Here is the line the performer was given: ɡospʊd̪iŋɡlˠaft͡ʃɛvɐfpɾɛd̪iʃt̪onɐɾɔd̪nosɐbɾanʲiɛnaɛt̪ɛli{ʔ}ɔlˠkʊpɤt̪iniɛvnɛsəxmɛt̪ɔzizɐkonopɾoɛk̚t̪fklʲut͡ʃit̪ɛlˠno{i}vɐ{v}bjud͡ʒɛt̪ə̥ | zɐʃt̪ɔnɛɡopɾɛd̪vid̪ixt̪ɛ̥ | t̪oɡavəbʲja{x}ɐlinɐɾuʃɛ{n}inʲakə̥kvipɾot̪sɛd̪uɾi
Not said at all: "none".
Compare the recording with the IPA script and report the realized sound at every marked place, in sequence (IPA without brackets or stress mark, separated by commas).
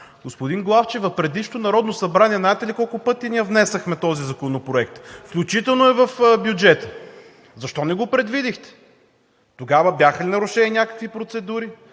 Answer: k, ɛ, f, x, n